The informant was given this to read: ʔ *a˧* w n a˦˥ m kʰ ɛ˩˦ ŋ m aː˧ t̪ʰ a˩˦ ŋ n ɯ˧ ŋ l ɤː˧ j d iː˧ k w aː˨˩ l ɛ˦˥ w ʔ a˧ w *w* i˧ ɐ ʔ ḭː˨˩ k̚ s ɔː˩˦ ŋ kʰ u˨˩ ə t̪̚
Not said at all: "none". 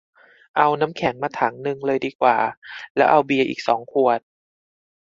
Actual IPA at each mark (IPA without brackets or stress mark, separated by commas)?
a˧, b